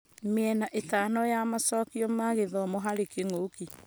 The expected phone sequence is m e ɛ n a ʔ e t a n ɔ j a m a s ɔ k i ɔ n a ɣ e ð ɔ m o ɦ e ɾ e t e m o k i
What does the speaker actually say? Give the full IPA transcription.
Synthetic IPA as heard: m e ɛ n a ʔ e t a n ɔ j a m a s ɔ k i ɔ m a ɣ e ð ɔ m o ɦ a ɾ e k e ŋ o k i